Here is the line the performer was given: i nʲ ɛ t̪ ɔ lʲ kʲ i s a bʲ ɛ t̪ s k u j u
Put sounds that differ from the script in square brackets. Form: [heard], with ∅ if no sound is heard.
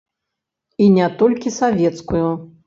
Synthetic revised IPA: i nʲ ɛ t̪ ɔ lʲ kʲ i s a [vʲ] ɛ t̪ s k u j u

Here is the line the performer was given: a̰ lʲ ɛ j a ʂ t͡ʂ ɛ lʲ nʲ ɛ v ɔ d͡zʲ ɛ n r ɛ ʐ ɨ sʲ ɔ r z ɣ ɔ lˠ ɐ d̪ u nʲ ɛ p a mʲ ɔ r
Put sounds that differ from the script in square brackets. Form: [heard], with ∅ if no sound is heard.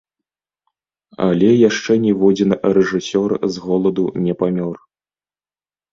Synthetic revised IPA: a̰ lʲ ɛ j a ʂ t͡ʂ ɛ [∅] nʲ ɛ v ɔ d͡zʲ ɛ n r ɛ ʐ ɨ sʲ ɔ r z ɣ ɔ lˠ ɐ d̪ u nʲ ɛ p a mʲ ɔ r

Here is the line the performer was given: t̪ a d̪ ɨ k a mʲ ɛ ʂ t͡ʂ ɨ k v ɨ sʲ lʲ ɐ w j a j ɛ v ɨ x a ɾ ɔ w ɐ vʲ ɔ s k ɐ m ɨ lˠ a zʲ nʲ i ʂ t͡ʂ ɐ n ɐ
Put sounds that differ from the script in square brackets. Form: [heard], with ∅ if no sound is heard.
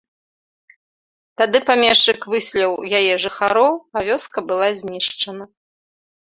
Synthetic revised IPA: t̪ a d̪ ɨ [p] a mʲ ɛ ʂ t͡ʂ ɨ k v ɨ sʲ lʲ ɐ w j a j ɛ [ʐ] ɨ x a ɾ ɔ w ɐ vʲ ɔ s k ɐ [b] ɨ lˠ a zʲ nʲ i ʂ t͡ʂ ɐ n ɐ

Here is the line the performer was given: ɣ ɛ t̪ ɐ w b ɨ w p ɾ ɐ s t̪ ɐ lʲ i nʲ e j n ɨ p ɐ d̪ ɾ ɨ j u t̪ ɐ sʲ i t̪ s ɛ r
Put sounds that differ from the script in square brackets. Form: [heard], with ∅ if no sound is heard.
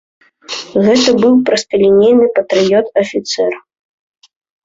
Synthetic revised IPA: ɣ ɛ t̪ ɐ [∅] b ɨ w p ɾ ɐ s t̪ ɐ lʲ i nʲ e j n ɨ p ɐ [t̪] ɾ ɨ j [ɔ] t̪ ɐ [fʲ] i t̪ s ɛ r

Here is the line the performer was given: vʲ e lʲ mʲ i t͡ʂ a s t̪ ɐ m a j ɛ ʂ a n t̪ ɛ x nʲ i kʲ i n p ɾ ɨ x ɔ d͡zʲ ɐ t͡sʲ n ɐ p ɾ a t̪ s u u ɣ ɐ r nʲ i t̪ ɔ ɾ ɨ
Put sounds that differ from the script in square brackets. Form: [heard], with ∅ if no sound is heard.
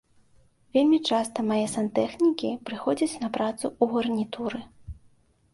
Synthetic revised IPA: vʲ e lʲ mʲ i t͡ʂ a s t̪ ɐ m a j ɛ [s] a n t̪ ɛ x nʲ i kʲ i [∅] p ɾ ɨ x ɔ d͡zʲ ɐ t͡sʲ n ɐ p ɾ a t̪ s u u ɣ ɐ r nʲ i t̪ [u] ɾ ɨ

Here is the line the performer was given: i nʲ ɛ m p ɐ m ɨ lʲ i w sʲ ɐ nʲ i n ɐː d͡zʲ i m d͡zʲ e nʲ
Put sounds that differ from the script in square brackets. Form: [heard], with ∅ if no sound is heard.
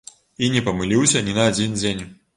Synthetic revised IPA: i nʲ ɛ [∅] p ɐ m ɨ lʲ i w sʲ ɐ nʲ i n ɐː d͡zʲ i [n] d͡zʲ e nʲ

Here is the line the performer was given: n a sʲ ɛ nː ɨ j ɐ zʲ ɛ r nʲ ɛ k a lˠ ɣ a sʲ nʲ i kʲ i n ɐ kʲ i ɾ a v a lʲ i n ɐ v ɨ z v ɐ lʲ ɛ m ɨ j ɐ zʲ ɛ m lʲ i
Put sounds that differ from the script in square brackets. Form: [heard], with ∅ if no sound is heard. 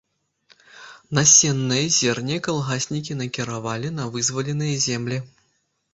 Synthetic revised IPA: n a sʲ ɛ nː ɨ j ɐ zʲ ɛ r nʲ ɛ k a lˠ ɣ a sʲ nʲ i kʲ i n ɐ kʲ i ɾ a v a lʲ i n ɐ v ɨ z v ɐ lʲ ɛ [n] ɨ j ɐ zʲ ɛ m lʲ i

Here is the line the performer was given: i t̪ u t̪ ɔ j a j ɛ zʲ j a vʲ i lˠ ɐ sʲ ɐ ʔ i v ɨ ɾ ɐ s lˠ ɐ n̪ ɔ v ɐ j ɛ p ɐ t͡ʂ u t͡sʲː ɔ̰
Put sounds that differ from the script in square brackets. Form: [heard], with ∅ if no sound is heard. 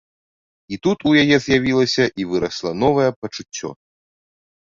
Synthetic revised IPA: i t̪ u t̪ [u] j a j ɛ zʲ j a vʲ i lˠ ɐ sʲ ɐ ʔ i v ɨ ɾ ɐ s lˠ ɐ n̪ ɔ v ɐ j ɛ p ɐ t͡ʂ u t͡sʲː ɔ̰

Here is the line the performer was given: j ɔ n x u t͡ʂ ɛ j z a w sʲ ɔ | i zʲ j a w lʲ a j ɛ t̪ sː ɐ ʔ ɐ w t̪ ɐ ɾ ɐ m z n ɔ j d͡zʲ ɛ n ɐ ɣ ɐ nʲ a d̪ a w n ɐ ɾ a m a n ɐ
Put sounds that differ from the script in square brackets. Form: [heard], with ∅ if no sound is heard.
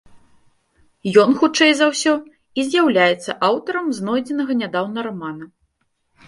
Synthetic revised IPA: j ɔ n x u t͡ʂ ɛ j z a w sʲ ɔ | i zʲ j a w lʲ a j ɛ t̪ sː ɐ ʔ [a] w t̪ ɐ ɾ ɐ m z n ɔ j d͡zʲ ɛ n ɐ ɣ ɐ nʲ a d̪ a w n ɐ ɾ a m a n ɐ

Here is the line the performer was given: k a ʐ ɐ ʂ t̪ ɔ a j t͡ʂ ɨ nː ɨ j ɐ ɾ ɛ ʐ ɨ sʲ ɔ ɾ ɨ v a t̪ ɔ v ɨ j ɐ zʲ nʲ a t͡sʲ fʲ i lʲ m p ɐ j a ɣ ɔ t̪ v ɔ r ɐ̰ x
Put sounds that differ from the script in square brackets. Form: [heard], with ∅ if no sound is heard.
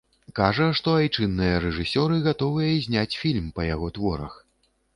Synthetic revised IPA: k a ʐ ɐ ʂ t̪ ɔ a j t͡ʂ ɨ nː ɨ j ɐ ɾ ɛ ʐ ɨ sʲ ɔ ɾ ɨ [ɣ] a t̪ ɔ v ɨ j ɐ zʲ nʲ a t͡sʲ fʲ i lʲ m p ɐ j a ɣ ɔ t̪ v ɔ [ɾ] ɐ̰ x

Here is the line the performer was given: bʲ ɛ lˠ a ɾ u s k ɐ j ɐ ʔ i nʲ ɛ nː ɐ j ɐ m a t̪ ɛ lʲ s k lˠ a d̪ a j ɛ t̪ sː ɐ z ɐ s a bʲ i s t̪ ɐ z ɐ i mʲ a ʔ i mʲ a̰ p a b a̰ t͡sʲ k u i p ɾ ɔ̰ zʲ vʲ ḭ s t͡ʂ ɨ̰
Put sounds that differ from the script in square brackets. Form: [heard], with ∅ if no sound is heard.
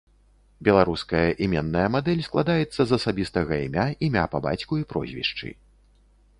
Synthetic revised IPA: bʲ ɛ lˠ a ɾ u s k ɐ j ɐ ʔ i [mʲ] ɛ nː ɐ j ɐ m a [d̪] ɛ lʲ s k lˠ a d̪ a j ɛ t̪ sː ɐ z ɐ s a bʲ i s t̪ ɐ [ɣ] ɐ i mʲ a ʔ i mʲ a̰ p [ɐ] b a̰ t͡sʲ k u i p ɾ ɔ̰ zʲ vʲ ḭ [ʂ] t͡ʂ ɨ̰

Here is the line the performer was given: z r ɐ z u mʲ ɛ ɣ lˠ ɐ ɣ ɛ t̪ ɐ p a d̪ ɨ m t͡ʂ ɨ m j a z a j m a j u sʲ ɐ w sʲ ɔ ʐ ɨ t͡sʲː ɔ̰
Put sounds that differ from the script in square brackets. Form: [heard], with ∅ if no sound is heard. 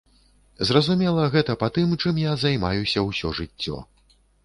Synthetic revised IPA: z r ɐ z u mʲ ɛ [∅] lˠ ɐ ɣ ɛ t̪ ɐ p a [t̪] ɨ m t͡ʂ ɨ m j a z a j m a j u sʲ ɐ w sʲ ɔ ʐ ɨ t͡sʲː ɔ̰

